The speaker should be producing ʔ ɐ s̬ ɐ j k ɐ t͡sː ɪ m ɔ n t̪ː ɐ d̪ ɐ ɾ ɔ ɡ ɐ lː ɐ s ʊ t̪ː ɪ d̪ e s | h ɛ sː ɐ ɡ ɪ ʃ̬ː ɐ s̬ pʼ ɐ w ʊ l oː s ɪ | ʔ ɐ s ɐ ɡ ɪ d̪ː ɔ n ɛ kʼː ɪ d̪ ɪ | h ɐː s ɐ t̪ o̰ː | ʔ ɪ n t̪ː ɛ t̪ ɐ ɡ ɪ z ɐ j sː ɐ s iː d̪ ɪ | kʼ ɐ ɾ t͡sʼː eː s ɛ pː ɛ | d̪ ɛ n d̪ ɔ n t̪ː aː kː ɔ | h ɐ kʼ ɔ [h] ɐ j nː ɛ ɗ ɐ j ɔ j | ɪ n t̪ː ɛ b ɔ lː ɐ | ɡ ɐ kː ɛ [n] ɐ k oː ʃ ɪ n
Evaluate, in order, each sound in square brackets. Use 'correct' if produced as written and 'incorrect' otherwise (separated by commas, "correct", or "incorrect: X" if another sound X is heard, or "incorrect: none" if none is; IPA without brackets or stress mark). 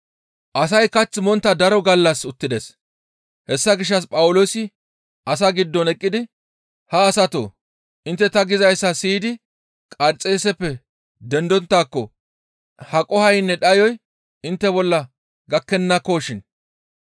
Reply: correct, incorrect: nː